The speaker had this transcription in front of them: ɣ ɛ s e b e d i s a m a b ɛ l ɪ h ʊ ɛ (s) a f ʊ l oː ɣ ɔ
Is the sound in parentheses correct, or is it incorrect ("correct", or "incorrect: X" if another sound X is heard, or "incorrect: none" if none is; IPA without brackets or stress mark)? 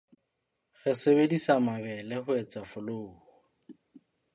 incorrect: t͡s